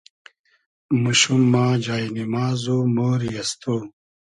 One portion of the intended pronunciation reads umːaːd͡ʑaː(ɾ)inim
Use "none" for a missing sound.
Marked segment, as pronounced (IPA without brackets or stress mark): none